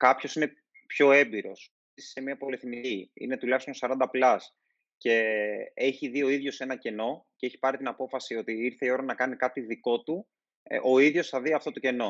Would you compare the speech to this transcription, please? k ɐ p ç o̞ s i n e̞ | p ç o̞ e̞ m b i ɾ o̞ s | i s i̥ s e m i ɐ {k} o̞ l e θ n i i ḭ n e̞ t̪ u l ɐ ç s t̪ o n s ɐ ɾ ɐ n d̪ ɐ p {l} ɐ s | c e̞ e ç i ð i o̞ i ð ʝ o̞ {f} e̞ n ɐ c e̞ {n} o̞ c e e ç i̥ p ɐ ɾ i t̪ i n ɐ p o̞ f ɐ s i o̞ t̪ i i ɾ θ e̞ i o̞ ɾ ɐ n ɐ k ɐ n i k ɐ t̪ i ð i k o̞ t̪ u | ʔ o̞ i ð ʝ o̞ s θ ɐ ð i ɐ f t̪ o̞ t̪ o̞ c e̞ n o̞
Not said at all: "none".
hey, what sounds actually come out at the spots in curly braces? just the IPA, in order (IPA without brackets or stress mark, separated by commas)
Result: p, l, s, n